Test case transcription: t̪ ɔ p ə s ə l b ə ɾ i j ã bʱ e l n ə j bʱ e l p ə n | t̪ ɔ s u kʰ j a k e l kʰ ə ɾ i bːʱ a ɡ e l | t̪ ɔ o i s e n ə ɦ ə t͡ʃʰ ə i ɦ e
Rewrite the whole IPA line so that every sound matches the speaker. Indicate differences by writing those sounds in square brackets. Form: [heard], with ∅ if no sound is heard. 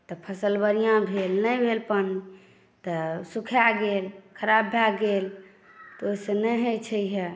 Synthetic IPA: t̪ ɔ [pʰ] ə s ə l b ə ɾ i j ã bʱ e l n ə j bʱ e l p ə n | t̪ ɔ s u kʰ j a [ɡ] e l kʰ ə ɾ [a] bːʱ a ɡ e l | t̪ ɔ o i s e n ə ɦ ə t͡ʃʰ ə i ɦ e